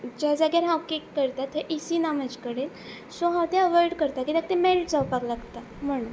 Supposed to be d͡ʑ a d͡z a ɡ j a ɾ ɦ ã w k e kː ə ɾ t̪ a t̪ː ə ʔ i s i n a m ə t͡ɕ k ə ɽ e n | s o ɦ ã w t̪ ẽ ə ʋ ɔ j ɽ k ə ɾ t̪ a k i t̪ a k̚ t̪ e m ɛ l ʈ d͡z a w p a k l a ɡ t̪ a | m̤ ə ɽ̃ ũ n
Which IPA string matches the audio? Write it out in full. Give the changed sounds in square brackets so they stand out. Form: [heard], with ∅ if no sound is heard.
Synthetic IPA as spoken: d͡ʑ a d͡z a ɡ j a ɾ ɦ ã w k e kː ə ɾ t̪ a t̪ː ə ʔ i s i n a m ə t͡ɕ k ə ɽ e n | s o ɦ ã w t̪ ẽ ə ʋ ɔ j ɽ k ə ɾ t̪ a k i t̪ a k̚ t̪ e m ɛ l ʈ d͡z a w p a k l a ɡ t̪ a | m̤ ə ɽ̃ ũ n